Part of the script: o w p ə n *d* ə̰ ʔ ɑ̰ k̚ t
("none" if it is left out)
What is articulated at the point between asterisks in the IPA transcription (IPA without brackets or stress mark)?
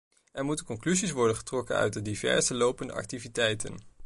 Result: d